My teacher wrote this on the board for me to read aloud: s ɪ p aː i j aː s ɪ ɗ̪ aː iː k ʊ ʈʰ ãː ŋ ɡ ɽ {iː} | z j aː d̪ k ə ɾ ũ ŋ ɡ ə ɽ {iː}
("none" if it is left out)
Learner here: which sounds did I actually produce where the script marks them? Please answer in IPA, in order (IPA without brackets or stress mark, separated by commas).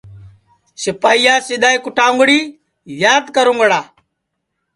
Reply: iː, aː